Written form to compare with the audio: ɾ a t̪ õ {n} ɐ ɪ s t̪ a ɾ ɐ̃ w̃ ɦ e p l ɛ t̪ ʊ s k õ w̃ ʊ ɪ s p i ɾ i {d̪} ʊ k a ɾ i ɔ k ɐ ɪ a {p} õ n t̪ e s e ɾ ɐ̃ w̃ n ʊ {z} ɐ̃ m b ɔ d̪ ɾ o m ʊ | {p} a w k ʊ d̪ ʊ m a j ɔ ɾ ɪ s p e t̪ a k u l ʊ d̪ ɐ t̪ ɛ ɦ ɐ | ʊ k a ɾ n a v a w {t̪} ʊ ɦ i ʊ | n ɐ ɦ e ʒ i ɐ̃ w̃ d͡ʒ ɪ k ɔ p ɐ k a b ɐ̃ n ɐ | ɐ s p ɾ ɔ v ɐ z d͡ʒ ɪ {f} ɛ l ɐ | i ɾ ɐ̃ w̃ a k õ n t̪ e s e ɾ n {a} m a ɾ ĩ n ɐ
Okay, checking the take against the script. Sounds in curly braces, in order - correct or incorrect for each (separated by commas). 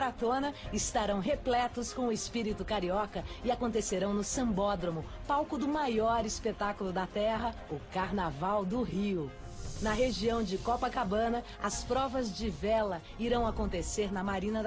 correct, incorrect, incorrect, incorrect, correct, incorrect, incorrect, incorrect